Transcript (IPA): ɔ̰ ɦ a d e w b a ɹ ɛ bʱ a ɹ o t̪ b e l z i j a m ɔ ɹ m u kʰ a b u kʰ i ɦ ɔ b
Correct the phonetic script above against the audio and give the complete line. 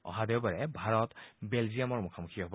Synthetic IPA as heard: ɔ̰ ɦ a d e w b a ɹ ɛ bʱ a ɹ ɔ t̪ b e l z i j a m ɔ ɹ m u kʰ a m u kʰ i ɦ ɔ b